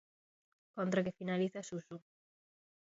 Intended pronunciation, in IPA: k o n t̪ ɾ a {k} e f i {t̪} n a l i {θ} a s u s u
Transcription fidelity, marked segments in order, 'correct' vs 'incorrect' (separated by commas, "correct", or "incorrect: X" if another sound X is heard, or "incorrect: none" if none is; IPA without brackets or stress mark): correct, incorrect: none, correct